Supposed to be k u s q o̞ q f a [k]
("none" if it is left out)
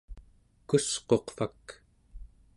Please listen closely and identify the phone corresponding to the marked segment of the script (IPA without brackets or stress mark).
k